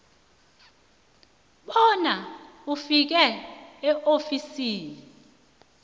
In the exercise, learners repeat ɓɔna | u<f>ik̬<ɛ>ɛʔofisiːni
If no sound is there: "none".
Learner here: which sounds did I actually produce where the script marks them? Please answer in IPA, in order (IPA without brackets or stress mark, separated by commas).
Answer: f, ɛ